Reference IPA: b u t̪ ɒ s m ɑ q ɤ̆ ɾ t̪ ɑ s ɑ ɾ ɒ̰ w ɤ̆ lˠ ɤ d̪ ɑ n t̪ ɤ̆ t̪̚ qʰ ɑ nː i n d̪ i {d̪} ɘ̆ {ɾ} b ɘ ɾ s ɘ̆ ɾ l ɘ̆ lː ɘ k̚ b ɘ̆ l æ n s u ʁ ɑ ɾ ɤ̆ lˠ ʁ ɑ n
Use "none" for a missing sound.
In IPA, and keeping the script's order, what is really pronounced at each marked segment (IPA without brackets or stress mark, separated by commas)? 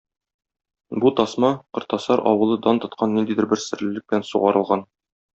d̪, ɾ